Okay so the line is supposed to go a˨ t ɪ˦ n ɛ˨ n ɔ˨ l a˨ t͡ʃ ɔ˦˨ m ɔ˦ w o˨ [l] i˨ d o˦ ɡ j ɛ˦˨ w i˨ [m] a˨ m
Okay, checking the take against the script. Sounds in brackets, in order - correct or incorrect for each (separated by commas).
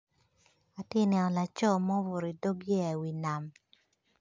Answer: incorrect, incorrect